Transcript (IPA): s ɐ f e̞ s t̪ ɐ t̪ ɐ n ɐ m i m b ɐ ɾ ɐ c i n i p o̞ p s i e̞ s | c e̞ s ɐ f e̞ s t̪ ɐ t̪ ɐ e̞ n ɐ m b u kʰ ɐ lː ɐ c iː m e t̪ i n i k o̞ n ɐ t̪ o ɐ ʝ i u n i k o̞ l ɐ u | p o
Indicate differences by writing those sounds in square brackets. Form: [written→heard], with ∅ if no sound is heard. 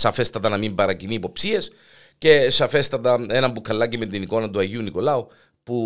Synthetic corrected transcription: s ɐ f e̞ s t̪ ɐ t̪ ɐ n ɐ m i m b ɐ ɾ ɐ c i n i p o̞ p s i e̞ s | c e̞ s ɐ f e̞ s t̪ ɐ t̪ ɐ e̞ n ɐ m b u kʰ ɐ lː ɐ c [iː→i] m e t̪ i n i k o̞ n ɐ t̪ [o→u] ɐ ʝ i u n i k o̞ l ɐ u | p [o→u]